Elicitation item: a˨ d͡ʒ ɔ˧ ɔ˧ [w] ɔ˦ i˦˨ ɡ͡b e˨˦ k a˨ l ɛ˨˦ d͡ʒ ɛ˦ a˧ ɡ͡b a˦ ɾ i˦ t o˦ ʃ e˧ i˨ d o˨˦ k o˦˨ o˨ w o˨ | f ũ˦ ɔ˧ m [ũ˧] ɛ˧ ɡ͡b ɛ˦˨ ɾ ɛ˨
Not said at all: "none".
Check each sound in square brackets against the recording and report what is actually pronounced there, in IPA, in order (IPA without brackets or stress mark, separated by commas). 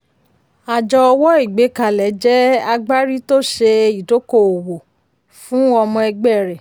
w, ɔ̃˧